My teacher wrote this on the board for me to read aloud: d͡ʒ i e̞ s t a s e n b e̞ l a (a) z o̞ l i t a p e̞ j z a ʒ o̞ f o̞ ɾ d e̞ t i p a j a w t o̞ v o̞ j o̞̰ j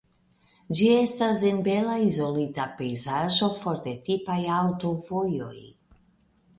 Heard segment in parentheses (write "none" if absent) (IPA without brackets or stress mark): i